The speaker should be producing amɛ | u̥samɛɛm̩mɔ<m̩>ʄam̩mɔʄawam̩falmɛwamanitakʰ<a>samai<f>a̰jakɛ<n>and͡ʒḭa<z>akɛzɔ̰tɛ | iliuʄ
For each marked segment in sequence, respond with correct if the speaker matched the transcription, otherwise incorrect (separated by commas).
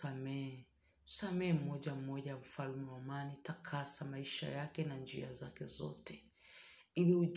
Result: incorrect, correct, incorrect, correct, correct